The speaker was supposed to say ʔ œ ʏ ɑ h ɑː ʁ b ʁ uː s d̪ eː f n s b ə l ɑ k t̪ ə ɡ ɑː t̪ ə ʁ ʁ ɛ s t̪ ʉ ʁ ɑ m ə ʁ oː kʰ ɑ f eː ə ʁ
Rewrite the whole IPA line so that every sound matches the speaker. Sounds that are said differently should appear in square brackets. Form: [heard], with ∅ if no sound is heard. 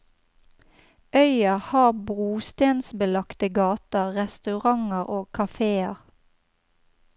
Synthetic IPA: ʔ œ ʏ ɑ h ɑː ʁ b ʁ uː s [t̪] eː [∅] n s b ə l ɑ k t̪ ə ɡ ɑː t̪ ə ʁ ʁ ɛ s t̪ ʉ ʁ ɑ [ŋ] ə ʁ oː kʰ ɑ f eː ə ʁ